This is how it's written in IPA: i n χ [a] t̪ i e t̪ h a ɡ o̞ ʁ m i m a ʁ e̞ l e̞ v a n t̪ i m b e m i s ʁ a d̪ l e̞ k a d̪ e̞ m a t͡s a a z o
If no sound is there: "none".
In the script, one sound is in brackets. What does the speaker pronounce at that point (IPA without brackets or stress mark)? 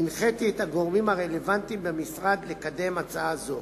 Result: e